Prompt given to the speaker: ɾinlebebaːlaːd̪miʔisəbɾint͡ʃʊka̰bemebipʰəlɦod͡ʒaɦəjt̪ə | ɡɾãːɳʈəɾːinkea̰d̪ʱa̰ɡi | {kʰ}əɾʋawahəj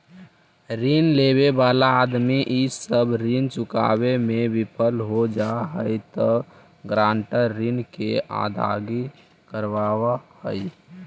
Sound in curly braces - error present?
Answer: yes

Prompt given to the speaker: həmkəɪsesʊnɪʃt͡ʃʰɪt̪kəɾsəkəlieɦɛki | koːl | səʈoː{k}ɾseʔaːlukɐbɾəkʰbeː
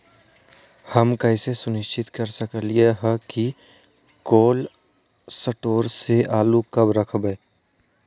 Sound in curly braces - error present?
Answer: yes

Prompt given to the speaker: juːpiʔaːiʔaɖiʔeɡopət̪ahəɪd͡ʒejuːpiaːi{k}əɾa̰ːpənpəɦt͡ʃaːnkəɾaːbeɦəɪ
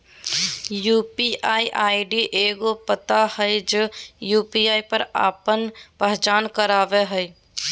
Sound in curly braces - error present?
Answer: yes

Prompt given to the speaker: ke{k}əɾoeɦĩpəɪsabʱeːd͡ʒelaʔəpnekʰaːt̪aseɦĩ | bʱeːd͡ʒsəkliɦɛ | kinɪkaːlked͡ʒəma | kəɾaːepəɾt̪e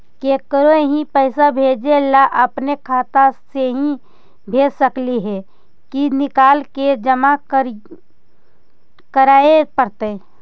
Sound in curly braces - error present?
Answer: no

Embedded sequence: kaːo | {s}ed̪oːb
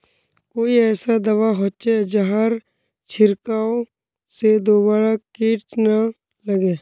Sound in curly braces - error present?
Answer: no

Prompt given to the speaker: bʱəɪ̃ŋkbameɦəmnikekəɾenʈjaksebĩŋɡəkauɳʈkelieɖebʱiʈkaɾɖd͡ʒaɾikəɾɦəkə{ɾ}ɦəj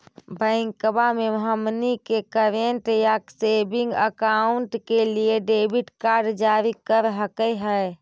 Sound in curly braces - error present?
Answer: yes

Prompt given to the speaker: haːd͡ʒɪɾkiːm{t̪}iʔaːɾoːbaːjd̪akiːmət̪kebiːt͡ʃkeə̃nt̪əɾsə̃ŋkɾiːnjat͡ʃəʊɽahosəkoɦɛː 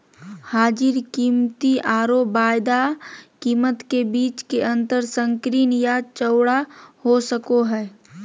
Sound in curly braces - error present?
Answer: no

